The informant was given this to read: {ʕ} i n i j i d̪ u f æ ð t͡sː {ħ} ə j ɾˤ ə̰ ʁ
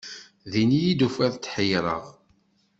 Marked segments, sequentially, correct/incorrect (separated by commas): incorrect, correct